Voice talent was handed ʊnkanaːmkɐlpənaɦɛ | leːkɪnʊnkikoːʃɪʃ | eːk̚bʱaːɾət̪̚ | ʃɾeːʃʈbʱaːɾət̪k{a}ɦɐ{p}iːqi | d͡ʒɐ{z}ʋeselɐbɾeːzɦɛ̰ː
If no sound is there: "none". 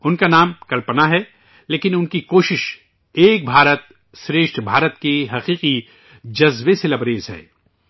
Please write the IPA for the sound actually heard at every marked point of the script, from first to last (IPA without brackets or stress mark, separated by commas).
e, q, z